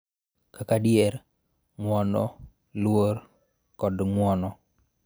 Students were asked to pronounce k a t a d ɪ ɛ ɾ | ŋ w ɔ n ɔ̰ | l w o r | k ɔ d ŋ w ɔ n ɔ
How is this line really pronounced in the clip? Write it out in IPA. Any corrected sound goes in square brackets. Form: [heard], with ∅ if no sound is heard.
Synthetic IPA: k a [k] a d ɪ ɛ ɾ | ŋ w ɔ n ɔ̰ | l w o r | k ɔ d ŋ w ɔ n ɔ